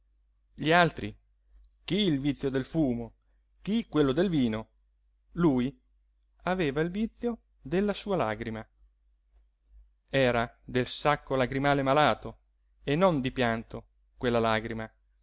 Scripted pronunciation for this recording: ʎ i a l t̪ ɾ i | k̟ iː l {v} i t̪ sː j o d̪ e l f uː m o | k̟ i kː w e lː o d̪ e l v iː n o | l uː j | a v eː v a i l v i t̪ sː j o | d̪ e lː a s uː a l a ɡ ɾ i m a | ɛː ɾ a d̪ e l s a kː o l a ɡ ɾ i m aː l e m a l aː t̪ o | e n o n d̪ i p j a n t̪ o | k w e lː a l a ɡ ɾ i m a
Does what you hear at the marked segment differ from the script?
no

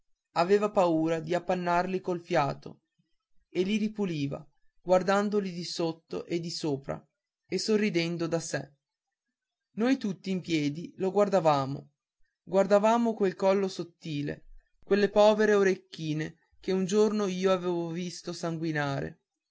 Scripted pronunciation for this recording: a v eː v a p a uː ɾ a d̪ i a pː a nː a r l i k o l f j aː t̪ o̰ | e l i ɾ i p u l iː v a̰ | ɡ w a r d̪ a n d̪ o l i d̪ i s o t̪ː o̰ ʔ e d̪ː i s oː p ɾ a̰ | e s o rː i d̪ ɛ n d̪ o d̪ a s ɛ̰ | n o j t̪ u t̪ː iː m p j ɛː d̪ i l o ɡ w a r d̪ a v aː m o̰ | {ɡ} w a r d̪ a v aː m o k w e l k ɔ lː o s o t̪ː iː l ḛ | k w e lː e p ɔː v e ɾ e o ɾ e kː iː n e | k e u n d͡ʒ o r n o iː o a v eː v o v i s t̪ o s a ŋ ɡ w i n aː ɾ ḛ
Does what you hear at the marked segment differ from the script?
no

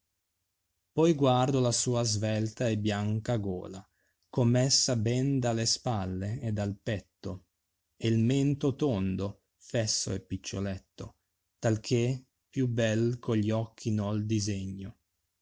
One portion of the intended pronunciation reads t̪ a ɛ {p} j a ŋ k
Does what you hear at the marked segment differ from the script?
yes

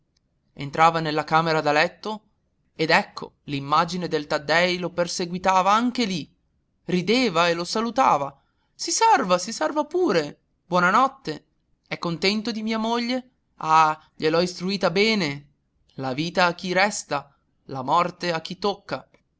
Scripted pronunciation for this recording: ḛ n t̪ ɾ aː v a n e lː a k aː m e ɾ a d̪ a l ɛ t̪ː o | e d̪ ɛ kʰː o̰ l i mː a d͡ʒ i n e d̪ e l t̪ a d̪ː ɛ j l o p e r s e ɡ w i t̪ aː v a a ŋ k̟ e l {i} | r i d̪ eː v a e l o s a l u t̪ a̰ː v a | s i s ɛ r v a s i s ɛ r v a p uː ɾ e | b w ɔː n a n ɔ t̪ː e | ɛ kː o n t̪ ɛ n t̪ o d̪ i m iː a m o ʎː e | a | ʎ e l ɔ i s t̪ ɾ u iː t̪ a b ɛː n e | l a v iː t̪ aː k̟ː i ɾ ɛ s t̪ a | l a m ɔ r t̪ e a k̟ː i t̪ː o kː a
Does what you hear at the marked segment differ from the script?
no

